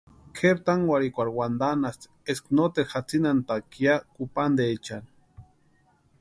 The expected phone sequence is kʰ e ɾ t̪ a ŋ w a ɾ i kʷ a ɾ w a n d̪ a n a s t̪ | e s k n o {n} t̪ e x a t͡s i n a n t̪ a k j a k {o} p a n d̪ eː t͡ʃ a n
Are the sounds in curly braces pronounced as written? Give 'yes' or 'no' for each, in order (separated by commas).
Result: no, no